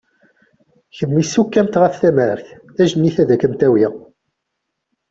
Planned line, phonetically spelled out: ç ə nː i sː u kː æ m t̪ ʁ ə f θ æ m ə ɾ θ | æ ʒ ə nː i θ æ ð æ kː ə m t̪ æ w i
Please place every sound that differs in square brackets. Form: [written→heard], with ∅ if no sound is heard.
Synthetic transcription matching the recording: ç ə [nː→mː] i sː u kː æ m t̪ ʁ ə f θ æ m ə ɾ θ | æ ʒ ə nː i θ æ ð æ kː ə m t̪ æ w i